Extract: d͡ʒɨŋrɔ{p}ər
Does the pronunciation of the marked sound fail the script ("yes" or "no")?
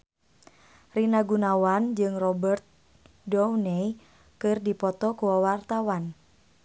yes